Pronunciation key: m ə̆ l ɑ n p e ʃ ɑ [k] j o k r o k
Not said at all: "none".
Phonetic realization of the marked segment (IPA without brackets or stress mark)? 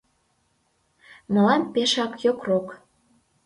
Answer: k